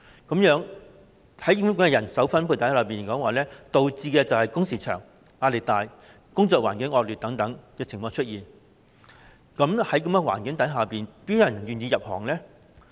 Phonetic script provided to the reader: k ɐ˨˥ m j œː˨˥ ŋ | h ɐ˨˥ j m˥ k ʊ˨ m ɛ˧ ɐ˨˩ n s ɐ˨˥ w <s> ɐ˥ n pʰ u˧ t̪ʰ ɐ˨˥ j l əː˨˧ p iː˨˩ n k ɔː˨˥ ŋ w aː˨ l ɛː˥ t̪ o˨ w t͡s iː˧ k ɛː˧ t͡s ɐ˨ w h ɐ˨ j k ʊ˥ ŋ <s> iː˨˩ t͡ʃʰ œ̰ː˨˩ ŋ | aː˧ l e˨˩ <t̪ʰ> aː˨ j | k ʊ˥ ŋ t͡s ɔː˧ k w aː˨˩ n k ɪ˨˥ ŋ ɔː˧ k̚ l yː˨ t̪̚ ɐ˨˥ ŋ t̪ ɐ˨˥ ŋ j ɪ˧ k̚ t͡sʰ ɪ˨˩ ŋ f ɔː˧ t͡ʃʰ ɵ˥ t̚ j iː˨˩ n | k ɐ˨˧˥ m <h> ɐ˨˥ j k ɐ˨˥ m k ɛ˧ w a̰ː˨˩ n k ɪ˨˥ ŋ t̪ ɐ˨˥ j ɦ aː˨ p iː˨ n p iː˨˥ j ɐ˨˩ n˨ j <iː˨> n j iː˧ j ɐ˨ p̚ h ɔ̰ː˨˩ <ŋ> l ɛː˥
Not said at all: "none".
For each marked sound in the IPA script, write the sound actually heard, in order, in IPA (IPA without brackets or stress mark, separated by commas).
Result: f, s, t̪, h, yː˨, ŋ